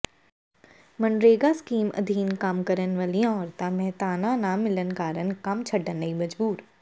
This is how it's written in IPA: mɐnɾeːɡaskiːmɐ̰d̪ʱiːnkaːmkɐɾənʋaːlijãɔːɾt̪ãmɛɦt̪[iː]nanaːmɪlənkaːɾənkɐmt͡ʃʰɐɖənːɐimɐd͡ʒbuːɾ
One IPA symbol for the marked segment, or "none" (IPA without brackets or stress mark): aː